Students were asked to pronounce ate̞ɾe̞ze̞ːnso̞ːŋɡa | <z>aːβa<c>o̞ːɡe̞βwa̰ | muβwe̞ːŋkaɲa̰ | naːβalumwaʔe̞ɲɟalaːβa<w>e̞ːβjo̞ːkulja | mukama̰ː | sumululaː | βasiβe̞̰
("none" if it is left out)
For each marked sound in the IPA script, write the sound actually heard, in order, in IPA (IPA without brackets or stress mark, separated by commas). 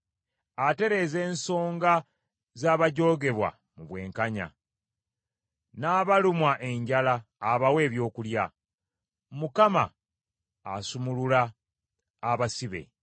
z, ɟ, w